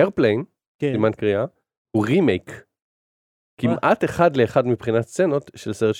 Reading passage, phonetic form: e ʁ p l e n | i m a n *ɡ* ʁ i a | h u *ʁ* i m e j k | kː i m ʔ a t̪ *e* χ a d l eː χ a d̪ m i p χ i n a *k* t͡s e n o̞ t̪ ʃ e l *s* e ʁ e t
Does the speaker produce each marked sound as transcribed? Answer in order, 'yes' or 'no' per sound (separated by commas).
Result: no, yes, yes, no, yes